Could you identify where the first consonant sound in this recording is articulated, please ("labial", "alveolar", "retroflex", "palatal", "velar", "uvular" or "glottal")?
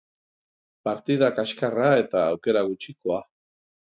labial